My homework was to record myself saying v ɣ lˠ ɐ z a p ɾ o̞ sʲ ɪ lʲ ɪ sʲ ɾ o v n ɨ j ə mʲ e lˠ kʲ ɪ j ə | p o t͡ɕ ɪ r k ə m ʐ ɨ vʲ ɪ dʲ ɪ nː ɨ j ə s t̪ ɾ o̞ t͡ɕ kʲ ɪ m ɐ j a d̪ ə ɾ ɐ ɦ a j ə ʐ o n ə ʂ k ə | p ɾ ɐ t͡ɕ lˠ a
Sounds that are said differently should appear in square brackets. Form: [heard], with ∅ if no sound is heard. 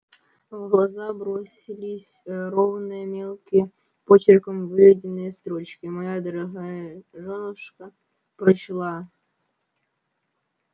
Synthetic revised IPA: v ɣ lˠ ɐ z a [b] ɾ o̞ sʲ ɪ lʲ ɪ sʲ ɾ o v n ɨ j ə mʲ e lˠ kʲ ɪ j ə | p o t͡ɕ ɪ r k ə m [v] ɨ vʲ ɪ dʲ ɪ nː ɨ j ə s t̪ ɾ o̞ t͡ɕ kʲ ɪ m ɐ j a d̪ ə ɾ ɐ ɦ a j ə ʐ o n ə ʂ k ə | p ɾ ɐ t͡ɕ lˠ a

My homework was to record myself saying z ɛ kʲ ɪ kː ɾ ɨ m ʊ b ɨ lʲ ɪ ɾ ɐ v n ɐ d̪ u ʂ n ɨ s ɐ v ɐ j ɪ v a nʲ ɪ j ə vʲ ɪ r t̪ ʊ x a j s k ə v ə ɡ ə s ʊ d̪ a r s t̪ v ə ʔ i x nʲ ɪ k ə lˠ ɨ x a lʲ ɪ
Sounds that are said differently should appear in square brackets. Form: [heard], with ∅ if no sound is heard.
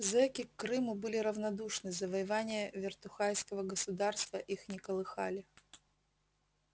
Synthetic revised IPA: z ɛ kʲ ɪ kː ɾ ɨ m ʊ b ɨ lʲ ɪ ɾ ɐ v n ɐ d̪ u ʂ n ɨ [z] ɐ v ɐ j ɪ v a nʲ ɪ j ə vʲ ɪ r t̪ ʊ x a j s k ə v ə ɡ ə s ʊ d̪ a r s t̪ v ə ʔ i x nʲ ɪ k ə lˠ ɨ x a lʲ ɪ

